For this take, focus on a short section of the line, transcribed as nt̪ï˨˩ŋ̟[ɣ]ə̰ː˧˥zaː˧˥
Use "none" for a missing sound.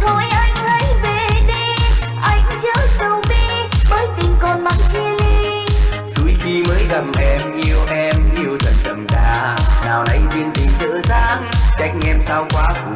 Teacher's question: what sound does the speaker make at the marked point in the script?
z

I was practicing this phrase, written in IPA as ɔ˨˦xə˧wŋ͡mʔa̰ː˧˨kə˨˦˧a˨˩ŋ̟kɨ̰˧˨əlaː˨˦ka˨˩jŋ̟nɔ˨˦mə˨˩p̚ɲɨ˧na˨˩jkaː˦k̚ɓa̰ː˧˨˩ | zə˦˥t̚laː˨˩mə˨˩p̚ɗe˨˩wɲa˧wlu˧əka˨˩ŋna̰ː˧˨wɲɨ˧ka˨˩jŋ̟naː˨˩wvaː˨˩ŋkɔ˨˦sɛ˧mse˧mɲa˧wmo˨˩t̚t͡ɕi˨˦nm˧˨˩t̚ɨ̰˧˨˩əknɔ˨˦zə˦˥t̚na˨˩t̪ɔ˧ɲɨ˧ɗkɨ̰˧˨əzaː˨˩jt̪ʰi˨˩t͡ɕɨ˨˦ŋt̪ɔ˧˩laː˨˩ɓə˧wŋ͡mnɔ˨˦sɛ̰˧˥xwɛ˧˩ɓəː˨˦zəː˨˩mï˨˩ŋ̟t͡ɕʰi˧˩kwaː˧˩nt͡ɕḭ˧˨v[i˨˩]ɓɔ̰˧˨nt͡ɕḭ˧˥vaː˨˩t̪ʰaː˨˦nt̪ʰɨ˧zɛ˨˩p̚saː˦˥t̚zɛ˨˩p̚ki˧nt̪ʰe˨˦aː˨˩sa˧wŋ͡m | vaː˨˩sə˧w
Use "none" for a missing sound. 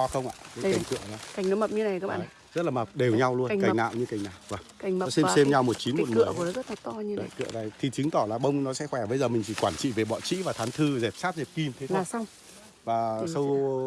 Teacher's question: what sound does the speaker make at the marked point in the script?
e˨˩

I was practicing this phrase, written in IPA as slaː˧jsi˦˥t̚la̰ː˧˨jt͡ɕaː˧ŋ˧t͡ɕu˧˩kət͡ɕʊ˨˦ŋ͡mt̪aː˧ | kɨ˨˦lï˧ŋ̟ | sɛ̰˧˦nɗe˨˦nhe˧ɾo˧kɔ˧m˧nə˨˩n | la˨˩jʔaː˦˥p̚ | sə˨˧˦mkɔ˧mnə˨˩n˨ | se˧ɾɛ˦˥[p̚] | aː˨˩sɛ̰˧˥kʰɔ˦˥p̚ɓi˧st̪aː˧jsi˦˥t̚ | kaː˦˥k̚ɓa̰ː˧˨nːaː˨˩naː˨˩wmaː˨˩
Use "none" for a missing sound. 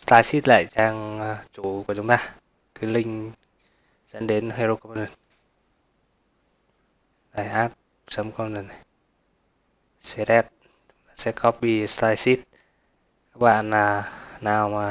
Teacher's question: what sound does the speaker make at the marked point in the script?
t̚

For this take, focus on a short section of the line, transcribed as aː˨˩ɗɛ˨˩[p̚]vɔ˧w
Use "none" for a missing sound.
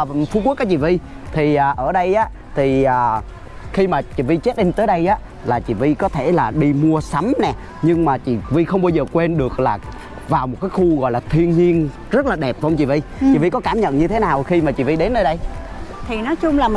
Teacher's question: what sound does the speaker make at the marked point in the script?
p̚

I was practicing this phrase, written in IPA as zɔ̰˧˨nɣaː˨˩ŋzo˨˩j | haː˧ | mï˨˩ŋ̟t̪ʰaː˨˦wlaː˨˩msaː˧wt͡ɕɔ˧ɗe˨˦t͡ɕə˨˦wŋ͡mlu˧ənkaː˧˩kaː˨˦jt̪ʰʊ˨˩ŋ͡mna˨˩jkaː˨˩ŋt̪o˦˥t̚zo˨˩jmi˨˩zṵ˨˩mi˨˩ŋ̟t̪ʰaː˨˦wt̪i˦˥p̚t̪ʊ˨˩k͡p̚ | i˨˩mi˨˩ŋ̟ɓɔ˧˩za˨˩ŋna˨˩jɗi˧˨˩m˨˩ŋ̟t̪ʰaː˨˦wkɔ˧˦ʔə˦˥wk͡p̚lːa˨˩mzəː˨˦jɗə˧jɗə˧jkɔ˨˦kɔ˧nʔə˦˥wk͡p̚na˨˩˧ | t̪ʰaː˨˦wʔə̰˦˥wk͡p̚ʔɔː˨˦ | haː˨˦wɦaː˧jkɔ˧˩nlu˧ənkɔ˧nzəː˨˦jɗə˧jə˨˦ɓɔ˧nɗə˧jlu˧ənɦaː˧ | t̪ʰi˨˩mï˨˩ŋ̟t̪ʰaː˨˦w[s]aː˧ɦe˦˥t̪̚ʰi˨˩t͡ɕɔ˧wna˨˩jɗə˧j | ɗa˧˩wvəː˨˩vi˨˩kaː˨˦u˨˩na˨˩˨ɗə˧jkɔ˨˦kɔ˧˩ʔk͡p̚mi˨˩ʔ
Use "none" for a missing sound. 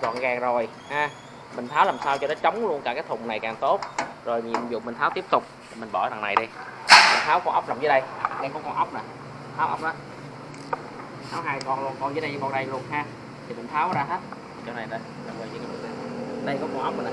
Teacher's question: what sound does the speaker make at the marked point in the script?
z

